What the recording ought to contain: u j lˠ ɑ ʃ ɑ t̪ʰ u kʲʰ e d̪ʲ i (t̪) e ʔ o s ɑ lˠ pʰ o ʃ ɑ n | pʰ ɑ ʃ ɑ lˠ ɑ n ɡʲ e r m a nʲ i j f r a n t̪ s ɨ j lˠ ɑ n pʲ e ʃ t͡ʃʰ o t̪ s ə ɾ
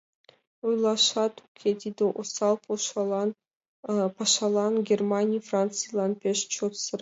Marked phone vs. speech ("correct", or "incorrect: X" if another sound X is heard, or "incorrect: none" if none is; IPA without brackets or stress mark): incorrect: d̪